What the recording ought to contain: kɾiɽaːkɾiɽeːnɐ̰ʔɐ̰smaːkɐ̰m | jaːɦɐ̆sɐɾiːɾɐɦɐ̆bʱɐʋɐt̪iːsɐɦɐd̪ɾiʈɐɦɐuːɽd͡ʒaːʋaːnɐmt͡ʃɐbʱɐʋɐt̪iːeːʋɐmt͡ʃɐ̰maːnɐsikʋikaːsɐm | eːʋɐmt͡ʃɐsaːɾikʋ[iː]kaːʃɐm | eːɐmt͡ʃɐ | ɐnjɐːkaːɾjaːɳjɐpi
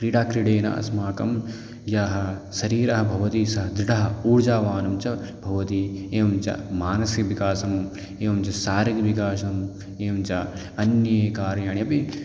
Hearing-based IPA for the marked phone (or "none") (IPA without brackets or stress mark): i